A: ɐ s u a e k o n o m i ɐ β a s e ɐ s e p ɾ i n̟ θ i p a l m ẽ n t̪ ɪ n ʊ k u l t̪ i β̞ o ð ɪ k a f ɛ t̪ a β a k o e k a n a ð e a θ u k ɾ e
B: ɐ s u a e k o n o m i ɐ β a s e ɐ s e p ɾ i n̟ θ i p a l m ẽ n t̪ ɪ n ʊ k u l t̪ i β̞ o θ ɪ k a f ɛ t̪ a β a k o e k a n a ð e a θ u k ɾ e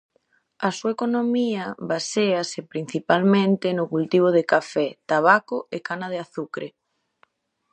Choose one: A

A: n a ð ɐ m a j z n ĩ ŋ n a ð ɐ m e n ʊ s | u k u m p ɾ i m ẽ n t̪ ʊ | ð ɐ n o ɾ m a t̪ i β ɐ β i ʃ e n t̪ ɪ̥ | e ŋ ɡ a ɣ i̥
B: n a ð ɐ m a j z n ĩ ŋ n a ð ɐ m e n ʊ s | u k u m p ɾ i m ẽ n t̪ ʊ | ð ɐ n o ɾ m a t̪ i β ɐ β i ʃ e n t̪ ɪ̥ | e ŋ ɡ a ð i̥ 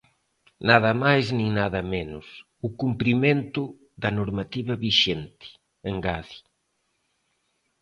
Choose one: B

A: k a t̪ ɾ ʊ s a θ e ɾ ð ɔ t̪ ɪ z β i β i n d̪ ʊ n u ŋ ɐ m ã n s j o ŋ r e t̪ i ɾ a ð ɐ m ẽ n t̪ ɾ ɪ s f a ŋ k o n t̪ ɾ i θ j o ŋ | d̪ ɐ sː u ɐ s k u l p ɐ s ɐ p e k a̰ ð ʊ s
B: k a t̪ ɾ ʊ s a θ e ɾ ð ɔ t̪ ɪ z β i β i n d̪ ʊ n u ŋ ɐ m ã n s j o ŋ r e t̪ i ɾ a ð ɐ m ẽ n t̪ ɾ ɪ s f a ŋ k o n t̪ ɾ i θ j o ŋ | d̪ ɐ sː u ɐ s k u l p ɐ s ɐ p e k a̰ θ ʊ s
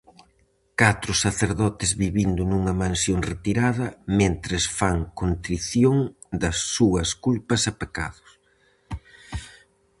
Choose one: A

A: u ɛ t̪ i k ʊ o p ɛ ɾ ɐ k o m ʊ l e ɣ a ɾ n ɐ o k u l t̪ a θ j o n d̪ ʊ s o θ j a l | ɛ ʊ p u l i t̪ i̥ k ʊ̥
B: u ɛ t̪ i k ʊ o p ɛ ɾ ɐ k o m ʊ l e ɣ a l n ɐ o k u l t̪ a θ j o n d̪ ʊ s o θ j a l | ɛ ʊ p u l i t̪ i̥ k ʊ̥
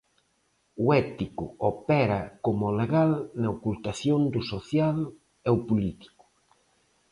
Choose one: B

